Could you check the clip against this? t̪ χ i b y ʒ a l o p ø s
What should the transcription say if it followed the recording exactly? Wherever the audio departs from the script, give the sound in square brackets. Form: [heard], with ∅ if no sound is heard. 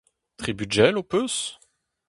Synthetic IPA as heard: t̪ χ i b y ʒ [ɛ] l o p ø s